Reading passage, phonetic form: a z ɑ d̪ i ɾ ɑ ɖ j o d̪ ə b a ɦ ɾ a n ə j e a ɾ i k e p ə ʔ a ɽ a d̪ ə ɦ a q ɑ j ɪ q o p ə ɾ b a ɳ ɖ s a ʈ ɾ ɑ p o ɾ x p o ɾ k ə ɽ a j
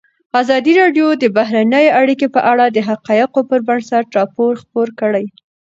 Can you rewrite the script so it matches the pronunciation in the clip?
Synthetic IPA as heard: a z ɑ d̪ i ɾ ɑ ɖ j o d̪ ə b a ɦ ɾ a n ə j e a ɽ i k e p ə ʔ a ɽ a d̪ ə ɦ a q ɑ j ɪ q o p ə ɾ b a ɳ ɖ s a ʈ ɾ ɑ p o ɾ x p o ɾ k ə ɽ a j